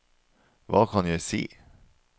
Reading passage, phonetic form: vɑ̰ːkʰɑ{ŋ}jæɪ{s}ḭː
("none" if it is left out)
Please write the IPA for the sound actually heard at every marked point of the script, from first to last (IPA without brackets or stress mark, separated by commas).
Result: n, s